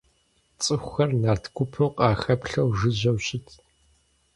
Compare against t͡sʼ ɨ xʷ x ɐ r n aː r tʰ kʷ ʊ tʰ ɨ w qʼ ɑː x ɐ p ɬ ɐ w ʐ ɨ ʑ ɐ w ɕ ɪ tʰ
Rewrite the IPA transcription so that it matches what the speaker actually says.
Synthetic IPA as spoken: t͡sʼ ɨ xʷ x ɐ r n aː r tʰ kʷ ʊ pʰ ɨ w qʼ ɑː x ɐ p ɬ ɐ w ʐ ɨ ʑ ɐ w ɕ ɪ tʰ

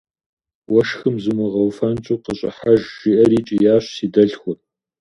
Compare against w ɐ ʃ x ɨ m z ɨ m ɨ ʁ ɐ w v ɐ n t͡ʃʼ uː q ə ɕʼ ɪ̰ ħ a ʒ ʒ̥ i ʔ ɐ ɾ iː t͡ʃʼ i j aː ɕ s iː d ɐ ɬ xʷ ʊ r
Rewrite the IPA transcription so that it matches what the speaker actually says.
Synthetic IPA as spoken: w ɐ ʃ x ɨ m z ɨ m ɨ ʁ ɐ w f ɐ n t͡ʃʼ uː q ə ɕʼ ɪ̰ ħ a ʒ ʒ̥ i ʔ ɐ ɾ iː t͡ʃʼ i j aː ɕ s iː d ɐ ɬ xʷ ʊ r

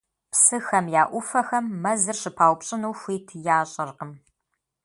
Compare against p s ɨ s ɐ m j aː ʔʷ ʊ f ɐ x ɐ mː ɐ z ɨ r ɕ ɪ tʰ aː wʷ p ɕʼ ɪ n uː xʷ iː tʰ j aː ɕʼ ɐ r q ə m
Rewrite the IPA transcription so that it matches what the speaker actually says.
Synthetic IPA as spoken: p s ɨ x ɐ m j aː ʔʷ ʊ f ɐ x ɐ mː ɐ z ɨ r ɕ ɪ pʰ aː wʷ p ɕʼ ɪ n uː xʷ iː tʰ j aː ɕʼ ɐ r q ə m

